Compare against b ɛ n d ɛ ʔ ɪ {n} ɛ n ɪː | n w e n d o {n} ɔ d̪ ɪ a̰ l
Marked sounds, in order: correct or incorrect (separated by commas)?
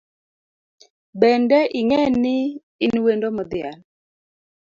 incorrect, incorrect